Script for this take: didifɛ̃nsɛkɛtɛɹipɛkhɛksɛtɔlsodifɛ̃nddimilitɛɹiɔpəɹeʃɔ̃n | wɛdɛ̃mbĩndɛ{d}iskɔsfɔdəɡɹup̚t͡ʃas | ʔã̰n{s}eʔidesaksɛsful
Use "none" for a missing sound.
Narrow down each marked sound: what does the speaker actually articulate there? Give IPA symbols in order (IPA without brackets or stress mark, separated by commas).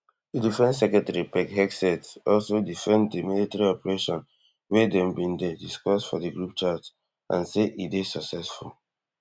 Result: d, s